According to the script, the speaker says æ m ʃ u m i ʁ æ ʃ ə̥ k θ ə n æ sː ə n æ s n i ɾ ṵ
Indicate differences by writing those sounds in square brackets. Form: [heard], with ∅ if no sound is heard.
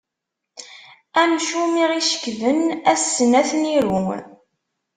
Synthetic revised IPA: æ m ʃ u m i ʁ [i] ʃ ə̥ k [ð] ə n æ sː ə n æ [θ] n i ɾ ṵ